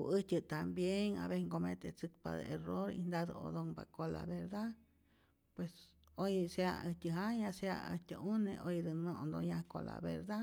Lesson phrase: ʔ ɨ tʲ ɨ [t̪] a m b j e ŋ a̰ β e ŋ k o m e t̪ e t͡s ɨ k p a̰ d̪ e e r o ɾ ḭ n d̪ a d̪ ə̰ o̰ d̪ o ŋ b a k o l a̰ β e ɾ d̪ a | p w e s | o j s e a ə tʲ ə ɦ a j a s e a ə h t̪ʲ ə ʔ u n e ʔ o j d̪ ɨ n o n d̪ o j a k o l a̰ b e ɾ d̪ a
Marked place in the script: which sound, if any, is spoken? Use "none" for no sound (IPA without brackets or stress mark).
t̪